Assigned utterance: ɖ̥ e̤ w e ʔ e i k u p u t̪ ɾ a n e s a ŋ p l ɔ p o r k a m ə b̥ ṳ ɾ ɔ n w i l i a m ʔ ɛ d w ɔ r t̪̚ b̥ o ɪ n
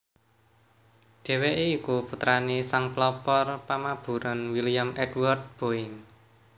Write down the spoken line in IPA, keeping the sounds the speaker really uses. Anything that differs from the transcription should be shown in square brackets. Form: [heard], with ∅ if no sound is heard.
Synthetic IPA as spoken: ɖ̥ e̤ w e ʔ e i k u p u t̪ ɾ a n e s a ŋ p l ɔ p [ɔ] r [p] a m [a] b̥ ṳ ɾ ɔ n w i l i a m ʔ ɛ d w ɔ r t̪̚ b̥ o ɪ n